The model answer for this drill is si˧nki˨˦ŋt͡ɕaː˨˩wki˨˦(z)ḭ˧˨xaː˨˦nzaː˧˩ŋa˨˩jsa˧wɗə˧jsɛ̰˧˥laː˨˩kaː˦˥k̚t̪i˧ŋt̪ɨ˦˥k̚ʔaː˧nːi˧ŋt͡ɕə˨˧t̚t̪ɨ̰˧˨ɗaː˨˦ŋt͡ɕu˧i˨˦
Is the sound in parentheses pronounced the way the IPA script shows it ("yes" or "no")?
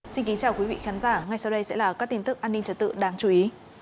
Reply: no